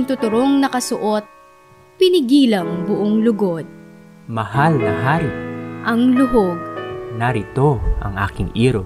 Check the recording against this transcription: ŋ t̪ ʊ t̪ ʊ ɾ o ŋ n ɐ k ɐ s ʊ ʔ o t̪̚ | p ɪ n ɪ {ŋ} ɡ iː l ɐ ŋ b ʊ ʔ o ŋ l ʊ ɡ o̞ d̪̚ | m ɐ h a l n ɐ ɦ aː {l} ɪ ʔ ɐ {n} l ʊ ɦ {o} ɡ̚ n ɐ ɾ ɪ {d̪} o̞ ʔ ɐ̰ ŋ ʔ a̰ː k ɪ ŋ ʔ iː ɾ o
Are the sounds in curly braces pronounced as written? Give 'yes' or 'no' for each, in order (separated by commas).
no, no, no, yes, no